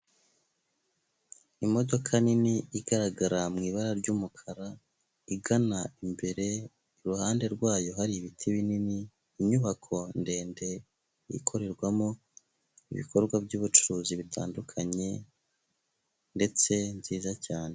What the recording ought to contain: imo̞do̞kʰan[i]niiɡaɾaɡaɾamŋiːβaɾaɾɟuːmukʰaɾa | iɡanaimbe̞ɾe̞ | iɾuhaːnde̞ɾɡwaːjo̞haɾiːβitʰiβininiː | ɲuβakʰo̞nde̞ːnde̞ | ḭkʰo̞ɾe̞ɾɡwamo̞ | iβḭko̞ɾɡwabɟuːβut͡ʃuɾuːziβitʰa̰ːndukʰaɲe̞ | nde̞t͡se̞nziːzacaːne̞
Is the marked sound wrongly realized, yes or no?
no